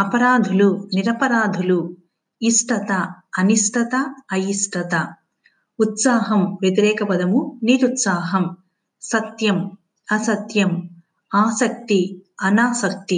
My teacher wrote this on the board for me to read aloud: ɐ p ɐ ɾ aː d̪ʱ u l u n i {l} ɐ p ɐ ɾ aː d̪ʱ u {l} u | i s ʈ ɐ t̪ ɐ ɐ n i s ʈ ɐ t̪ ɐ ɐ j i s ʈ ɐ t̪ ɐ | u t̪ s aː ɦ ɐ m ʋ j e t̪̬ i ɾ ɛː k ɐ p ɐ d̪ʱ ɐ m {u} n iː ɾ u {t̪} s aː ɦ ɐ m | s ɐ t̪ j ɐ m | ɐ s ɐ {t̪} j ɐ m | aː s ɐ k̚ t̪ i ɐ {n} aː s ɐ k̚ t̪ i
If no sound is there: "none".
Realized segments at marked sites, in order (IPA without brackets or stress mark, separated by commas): ɾ, l, u, t̪, t̪, n